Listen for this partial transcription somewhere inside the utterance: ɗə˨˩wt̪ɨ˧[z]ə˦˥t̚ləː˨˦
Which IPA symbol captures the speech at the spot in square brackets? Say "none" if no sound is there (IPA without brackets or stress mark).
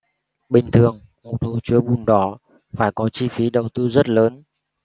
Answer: z